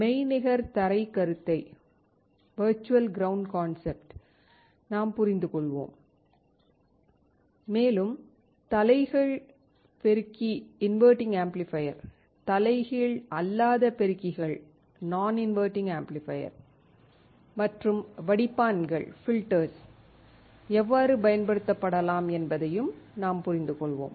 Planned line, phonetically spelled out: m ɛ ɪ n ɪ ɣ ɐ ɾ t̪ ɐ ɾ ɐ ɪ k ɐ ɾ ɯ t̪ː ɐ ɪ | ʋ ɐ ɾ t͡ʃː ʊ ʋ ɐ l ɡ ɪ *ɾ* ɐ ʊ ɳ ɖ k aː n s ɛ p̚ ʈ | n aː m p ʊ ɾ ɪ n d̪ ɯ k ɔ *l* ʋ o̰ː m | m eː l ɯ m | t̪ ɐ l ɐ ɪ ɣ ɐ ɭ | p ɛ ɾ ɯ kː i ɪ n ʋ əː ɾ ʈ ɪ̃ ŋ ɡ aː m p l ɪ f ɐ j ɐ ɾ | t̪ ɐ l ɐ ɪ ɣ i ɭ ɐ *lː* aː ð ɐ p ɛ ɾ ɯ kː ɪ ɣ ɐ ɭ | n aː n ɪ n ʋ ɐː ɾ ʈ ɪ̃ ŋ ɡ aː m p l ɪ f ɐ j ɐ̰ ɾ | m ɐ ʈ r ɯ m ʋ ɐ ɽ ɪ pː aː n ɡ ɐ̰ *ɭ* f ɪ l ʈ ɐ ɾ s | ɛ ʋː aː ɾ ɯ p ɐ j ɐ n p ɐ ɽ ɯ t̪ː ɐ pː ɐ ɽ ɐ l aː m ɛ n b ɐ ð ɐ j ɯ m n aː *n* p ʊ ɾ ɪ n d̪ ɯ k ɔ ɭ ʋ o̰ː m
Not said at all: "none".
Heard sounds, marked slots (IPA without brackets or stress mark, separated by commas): ɾ, ɭ, lː, ɭ, m